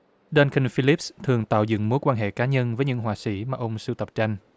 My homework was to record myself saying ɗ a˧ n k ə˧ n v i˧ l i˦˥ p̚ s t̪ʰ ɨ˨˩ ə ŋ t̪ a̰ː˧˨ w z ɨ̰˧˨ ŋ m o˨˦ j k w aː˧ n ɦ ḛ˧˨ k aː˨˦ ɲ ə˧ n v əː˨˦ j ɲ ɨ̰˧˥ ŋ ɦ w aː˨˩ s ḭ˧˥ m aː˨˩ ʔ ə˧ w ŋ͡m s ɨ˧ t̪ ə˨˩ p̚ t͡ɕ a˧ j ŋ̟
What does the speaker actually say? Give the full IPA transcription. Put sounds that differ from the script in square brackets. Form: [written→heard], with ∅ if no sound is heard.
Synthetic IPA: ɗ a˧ n k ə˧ n [v→f] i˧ l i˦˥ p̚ s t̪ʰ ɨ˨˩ ə ŋ t̪ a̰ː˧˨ w z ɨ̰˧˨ ŋ m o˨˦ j k w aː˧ n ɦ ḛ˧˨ k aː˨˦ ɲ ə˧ n v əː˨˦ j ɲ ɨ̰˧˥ ŋ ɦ w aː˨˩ s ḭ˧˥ m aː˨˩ ʔ ə˧ w ŋ͡m s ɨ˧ t̪ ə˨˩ p̚ t͡ɕ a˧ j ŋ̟